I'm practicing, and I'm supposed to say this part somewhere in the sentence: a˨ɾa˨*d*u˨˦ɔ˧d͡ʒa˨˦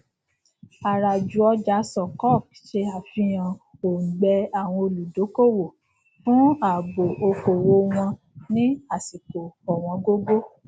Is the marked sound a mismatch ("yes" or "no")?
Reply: yes